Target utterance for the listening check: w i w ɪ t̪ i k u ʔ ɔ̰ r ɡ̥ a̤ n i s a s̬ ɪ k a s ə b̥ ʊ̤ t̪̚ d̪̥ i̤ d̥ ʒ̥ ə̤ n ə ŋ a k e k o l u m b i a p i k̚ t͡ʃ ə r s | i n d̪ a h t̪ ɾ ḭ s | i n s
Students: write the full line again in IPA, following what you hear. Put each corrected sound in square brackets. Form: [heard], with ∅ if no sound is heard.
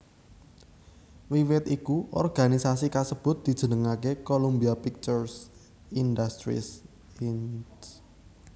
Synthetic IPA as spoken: w i w ɪ t̪ i k u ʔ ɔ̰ r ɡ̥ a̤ n i s a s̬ [i] k a s ə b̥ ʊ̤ t̪̚ d̪̥ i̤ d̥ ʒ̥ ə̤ n ə ŋ a k e k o l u m b i a p i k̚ t͡ʃ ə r s | i n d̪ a [s] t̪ ɾ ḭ s | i n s